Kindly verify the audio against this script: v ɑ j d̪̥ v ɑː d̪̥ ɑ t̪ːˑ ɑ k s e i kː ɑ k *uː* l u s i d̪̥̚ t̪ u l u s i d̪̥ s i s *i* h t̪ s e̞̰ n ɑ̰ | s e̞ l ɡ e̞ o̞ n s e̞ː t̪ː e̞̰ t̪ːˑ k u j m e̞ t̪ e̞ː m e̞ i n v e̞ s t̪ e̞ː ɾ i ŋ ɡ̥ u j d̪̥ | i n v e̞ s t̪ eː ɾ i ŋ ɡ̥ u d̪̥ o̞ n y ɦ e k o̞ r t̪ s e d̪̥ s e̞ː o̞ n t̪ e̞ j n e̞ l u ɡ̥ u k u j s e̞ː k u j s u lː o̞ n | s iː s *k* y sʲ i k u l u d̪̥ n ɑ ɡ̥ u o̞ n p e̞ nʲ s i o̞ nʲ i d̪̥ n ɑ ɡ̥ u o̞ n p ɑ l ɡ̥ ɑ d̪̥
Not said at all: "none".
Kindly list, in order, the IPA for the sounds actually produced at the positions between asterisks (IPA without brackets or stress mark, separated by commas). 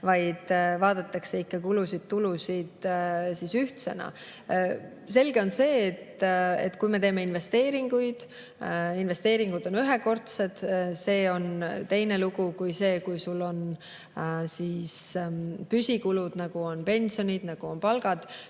u, y, p